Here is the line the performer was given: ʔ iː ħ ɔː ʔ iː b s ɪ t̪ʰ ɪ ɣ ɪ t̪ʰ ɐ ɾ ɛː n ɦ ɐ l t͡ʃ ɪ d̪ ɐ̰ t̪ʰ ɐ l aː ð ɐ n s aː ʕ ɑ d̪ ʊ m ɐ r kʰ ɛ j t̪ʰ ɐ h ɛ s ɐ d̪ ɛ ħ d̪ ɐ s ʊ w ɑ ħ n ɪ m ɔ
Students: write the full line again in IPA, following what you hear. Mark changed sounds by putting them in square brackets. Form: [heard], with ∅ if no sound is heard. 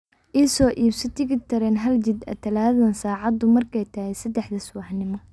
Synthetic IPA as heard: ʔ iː [s] ɔː ʔ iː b s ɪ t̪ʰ ɪ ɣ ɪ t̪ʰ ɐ ɾ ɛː n ɦ ɐ l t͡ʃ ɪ d̪ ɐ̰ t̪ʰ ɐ l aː ð ɐ n s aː ʕ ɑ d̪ ʊ m ɐ r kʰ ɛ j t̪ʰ ɐ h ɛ s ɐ d̪ ɛ ħ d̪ ɐ s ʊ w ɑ ħ n ɪ m ɔ